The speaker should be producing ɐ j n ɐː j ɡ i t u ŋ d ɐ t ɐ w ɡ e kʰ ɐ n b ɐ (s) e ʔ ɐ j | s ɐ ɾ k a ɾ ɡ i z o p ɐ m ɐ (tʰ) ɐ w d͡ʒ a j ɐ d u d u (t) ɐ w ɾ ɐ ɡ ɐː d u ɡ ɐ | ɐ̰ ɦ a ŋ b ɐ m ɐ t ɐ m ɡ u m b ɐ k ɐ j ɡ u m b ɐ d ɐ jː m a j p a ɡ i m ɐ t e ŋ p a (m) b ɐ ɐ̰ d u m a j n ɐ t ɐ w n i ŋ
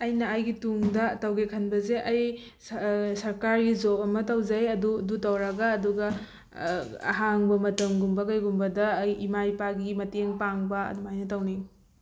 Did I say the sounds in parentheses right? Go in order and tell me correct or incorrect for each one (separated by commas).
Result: incorrect, incorrect, correct, incorrect